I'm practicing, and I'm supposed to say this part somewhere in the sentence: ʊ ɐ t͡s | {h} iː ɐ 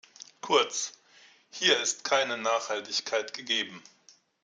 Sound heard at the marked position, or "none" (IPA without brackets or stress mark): h